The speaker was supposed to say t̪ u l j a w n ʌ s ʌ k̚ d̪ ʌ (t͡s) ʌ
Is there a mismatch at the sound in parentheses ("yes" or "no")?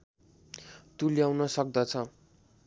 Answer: yes